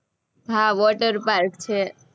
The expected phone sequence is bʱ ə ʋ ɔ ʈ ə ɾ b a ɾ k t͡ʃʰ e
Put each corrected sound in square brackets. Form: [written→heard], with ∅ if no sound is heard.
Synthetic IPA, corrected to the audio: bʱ [ə→a] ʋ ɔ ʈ ə ɾ [b→p] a ɾ k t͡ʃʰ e